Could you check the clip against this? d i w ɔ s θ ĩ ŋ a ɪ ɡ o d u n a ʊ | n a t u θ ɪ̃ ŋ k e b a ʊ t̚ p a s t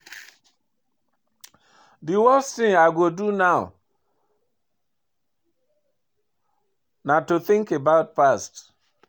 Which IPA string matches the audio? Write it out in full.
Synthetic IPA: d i w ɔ s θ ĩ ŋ a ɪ ɡ o d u n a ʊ | n a t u θ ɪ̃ ŋ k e b a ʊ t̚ p a s t